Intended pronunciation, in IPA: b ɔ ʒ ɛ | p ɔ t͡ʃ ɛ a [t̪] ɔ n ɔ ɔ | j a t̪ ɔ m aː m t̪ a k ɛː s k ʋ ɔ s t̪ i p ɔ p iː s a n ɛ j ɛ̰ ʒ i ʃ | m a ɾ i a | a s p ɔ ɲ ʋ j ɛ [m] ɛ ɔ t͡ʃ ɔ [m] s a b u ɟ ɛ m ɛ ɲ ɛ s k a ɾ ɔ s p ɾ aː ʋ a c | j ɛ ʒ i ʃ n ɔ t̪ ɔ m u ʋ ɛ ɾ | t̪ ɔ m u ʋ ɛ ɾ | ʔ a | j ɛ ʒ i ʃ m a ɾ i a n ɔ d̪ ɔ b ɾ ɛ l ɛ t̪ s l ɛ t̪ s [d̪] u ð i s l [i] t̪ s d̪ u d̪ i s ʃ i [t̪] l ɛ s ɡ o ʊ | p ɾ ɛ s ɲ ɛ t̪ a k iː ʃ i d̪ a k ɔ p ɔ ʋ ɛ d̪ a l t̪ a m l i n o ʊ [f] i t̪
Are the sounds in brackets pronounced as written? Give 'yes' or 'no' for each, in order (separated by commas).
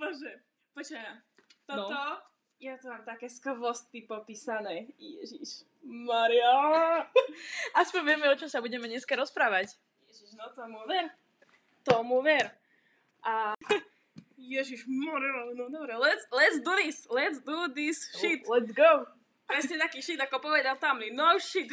yes, yes, yes, yes, no, yes, no